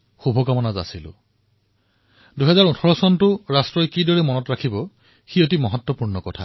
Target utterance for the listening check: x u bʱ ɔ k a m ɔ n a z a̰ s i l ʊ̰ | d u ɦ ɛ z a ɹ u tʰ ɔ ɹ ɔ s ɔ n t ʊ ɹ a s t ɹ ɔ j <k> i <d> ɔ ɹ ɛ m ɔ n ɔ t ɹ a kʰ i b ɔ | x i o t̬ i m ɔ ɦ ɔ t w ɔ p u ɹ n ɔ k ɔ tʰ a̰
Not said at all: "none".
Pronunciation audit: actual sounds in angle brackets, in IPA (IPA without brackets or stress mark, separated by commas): k, d